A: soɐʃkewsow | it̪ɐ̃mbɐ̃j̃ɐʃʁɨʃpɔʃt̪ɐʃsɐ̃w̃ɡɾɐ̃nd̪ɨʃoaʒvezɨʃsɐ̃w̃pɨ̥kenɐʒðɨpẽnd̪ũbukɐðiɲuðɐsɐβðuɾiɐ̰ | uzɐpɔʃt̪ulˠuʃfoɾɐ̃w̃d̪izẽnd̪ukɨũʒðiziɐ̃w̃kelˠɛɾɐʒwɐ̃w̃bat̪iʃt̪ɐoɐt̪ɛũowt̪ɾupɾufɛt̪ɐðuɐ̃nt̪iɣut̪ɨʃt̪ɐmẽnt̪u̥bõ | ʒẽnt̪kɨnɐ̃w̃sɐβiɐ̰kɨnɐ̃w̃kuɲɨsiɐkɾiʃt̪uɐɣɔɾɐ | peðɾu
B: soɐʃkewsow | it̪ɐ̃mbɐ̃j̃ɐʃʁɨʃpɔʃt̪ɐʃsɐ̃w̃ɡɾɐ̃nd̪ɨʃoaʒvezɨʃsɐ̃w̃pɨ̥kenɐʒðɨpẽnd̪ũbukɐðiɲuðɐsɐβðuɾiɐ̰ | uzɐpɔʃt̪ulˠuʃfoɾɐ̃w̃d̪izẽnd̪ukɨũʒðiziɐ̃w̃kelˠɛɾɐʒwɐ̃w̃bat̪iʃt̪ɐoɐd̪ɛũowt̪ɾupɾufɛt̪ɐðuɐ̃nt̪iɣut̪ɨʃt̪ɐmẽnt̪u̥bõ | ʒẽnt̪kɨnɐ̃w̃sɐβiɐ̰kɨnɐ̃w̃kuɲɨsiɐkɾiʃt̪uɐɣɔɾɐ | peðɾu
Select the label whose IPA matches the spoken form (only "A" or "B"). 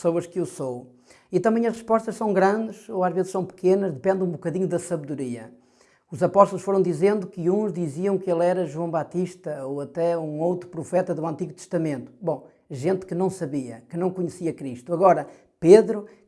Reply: A